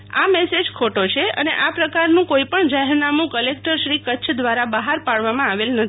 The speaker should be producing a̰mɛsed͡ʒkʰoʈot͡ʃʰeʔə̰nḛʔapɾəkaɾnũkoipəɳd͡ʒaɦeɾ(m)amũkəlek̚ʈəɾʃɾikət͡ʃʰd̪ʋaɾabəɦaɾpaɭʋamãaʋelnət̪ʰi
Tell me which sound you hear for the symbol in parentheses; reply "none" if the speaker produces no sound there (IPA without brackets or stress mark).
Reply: n